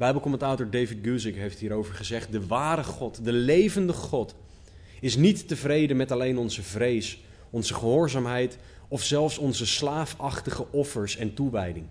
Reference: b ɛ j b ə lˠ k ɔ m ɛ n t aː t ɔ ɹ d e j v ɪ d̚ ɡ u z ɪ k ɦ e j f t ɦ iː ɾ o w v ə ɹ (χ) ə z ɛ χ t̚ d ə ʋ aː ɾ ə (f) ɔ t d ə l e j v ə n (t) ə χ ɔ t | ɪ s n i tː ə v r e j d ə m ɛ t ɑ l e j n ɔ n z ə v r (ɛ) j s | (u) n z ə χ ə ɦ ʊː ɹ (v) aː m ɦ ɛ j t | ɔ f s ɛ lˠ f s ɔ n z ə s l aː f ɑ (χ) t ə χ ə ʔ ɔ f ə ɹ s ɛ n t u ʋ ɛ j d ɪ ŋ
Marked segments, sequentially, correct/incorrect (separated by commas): correct, incorrect, incorrect, incorrect, incorrect, incorrect, correct